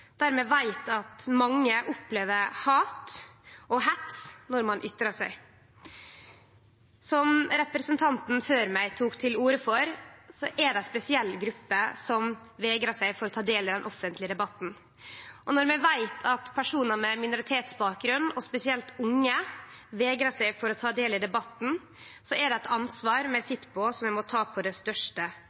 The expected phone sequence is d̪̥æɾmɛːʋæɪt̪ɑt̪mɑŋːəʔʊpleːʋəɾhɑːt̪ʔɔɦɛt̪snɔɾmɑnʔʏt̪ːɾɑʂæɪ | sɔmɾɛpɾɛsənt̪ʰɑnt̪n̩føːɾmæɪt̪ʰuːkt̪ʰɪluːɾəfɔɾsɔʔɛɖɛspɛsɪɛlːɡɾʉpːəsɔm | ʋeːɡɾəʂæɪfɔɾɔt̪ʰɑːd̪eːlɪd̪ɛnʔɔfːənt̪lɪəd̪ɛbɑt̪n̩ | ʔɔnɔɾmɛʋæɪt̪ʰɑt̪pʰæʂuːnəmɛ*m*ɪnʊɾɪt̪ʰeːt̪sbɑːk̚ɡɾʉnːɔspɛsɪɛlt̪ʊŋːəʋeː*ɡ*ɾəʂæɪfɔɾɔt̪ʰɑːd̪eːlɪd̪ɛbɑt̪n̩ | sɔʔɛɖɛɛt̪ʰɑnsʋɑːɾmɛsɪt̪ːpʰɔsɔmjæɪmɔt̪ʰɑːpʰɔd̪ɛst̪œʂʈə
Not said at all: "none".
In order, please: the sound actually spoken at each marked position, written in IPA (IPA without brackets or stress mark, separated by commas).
m, ɡ